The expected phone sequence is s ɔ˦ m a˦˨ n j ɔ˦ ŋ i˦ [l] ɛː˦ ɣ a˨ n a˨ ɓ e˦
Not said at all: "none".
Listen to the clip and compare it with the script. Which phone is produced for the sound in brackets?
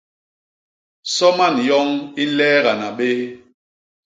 l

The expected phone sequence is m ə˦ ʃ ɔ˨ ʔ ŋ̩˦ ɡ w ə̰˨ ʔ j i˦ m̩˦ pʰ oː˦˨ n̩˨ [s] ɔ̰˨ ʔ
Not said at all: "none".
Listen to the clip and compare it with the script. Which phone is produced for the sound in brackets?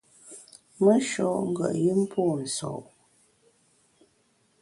s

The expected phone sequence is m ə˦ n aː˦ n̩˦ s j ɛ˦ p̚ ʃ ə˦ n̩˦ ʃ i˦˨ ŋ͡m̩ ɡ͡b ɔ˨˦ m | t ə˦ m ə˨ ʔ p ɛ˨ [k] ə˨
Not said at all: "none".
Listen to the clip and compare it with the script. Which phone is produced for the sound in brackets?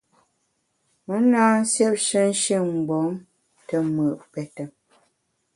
t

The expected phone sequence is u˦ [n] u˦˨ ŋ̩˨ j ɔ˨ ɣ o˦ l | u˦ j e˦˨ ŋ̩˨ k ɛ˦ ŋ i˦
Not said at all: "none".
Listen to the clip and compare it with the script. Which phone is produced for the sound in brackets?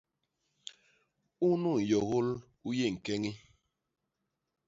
n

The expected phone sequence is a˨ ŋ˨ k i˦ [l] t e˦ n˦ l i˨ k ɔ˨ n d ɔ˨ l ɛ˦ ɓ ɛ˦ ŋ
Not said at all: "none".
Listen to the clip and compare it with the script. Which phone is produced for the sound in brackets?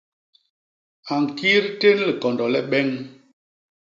ɾ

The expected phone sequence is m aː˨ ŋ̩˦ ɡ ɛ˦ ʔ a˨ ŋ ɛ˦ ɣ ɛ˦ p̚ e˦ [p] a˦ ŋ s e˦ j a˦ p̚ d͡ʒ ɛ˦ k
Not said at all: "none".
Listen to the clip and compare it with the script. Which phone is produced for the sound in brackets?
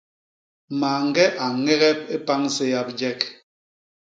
p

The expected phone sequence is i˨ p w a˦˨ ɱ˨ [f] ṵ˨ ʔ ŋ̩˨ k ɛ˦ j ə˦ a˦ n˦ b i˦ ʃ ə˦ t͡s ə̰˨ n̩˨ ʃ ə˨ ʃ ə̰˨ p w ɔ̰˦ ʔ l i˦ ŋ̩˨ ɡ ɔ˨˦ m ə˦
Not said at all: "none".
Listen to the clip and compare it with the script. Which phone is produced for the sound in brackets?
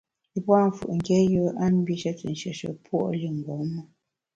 f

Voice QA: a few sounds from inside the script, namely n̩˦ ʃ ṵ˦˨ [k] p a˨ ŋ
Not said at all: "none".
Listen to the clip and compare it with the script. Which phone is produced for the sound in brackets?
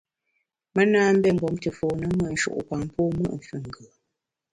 ʔ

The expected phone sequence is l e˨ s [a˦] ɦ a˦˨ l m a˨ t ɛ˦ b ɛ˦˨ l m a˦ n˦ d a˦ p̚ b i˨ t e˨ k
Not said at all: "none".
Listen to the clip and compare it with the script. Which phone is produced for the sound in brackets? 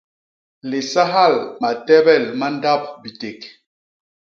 a˦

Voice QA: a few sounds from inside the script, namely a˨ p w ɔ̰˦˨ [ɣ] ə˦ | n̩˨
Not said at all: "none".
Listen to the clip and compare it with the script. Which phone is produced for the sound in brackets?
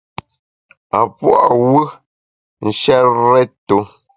w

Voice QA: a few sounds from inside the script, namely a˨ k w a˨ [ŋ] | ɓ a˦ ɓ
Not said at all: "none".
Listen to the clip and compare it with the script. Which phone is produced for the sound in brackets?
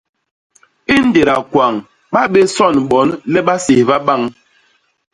ŋ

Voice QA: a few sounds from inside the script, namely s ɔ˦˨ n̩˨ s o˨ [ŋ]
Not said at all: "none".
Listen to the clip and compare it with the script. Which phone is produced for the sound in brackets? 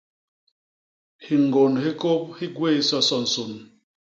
n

